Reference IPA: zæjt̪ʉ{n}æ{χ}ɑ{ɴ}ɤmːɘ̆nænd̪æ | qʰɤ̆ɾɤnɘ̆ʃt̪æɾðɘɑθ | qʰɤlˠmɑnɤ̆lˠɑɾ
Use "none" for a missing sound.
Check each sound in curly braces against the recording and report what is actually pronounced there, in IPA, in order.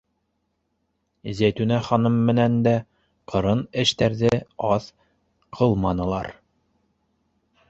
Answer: n, χ, n

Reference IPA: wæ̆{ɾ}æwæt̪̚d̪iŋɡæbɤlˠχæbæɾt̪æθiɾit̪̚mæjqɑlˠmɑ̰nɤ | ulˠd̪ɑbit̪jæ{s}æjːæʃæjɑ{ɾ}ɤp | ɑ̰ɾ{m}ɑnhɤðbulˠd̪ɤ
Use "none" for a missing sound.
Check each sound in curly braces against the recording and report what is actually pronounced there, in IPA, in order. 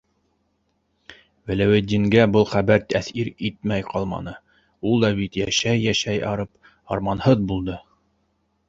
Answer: l, ʃ, ɾ, m

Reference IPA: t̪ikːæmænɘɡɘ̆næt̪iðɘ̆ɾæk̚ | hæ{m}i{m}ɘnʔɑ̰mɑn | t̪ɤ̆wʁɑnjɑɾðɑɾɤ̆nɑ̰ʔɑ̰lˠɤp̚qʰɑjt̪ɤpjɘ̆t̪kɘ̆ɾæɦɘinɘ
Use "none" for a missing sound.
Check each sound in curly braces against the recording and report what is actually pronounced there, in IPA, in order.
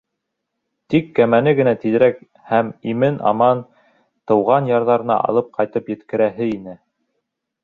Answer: m, m

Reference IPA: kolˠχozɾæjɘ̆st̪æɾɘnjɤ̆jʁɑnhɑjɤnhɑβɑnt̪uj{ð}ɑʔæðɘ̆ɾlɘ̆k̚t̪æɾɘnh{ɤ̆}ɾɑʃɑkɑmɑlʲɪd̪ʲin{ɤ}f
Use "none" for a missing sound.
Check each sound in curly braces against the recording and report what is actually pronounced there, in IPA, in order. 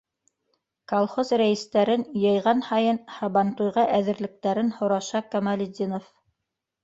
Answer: ʁ, ŏ, o

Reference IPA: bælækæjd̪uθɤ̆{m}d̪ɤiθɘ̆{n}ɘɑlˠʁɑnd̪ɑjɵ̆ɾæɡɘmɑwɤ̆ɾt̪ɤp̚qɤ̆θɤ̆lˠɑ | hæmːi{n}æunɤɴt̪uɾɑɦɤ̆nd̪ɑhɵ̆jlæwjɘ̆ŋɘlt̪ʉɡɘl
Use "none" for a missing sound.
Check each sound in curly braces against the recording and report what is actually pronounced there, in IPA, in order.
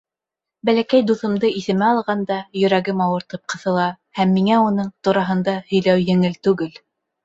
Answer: m, m, ŋ

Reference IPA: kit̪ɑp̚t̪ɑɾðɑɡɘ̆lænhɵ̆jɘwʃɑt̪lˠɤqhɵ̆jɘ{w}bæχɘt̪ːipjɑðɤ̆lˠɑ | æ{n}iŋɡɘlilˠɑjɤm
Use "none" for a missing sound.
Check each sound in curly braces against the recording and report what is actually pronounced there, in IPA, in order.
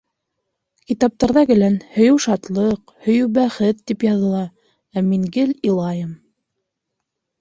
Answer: w, m

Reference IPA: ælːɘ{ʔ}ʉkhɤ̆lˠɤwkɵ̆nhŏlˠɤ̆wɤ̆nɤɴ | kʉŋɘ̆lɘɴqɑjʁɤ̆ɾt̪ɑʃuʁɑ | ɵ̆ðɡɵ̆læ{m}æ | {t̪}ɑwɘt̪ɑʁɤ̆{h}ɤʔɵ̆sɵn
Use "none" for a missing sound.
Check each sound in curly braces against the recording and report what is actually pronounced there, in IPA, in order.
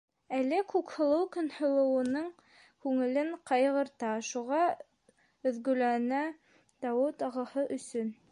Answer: k, n, d̪, h

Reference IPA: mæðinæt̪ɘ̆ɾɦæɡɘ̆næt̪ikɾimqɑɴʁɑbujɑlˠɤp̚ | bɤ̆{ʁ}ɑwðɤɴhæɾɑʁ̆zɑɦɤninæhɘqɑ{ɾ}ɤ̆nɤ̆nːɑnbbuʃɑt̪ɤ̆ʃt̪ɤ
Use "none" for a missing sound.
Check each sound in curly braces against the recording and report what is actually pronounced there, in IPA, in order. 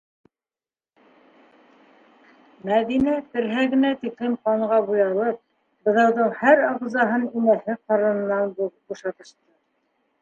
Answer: ð, ɾ

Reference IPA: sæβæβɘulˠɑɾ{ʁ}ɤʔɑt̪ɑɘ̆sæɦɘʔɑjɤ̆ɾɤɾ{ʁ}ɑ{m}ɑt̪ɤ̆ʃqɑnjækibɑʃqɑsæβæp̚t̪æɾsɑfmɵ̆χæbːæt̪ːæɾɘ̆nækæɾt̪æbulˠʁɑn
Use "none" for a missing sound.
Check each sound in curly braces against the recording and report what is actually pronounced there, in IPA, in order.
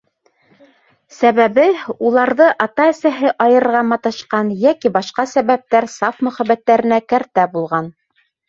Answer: ð, ʁ, m

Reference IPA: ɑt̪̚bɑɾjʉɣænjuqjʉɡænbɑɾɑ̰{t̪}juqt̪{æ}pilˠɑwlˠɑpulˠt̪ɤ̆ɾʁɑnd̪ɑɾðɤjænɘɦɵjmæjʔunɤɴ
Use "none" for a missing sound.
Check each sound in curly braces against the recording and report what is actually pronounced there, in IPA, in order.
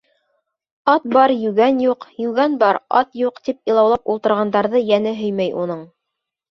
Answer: t̪, i

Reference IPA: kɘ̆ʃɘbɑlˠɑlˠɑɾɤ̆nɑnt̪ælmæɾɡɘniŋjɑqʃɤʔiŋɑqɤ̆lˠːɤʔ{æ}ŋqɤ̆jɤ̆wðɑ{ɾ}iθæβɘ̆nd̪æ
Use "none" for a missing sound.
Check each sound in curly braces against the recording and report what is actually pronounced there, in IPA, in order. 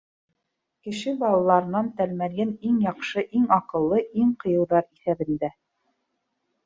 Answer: i, ɾ

